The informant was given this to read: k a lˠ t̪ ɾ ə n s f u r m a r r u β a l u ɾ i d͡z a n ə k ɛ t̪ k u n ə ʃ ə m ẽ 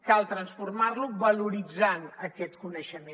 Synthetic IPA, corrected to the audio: k a lˠ t̪ ɾ ə n s f u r m a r l u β ə l u ɾ i d͡z a n ə k ɛ t̪ k u n ə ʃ ə m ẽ